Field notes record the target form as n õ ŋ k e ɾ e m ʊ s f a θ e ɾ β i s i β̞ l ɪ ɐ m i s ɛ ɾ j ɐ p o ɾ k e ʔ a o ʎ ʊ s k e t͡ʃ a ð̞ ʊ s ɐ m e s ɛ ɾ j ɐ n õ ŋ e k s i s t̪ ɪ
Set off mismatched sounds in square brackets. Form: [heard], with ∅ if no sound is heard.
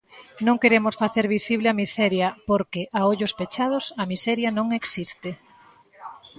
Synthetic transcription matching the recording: n õ ŋ k e ɾ e m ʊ s f a θ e ɾ β i s i β̞ l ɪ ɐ m i s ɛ ɾ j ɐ p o ɾ k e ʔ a o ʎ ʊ s [p] e t͡ʃ a ð̞ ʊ s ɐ m [i] s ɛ ɾ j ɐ n õ ŋ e k s i s t̪ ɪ